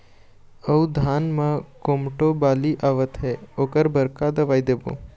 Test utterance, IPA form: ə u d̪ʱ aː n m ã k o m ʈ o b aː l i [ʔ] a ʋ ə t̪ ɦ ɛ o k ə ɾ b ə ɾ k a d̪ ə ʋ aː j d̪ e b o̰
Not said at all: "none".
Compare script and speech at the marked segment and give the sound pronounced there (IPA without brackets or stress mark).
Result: ʔ